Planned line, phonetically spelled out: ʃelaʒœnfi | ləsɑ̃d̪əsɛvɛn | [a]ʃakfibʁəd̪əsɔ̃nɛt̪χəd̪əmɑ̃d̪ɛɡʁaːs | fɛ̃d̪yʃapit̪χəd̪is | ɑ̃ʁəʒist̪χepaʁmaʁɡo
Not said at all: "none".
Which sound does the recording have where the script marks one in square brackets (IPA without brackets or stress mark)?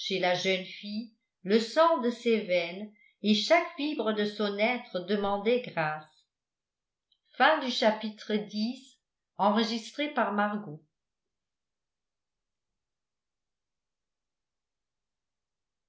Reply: e